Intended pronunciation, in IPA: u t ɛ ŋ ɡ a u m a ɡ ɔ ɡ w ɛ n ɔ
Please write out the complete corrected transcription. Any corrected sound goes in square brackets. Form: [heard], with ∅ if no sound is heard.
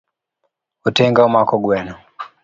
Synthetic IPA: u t ɛ ŋ ɡ a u m a [k] ɔ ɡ w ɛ n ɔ